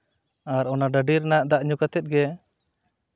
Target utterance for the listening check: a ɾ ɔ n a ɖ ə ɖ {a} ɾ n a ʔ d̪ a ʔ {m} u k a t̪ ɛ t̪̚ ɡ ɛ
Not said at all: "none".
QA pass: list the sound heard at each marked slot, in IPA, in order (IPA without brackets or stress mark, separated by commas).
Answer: i, ɲ